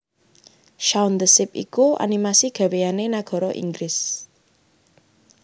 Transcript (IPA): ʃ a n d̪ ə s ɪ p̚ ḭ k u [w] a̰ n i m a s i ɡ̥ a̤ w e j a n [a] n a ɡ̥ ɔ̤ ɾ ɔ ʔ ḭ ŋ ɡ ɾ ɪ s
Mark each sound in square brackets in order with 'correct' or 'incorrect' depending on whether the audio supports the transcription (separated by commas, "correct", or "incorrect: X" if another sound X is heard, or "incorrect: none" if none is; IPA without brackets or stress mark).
incorrect: none, incorrect: e